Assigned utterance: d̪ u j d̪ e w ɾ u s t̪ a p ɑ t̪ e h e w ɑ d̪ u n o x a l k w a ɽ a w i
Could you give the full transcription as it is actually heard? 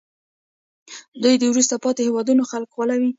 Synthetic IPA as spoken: d̪ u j d̪ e w ɾ u s t̪ a p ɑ t̪ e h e w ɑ d̪ u n o x a l k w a l a w i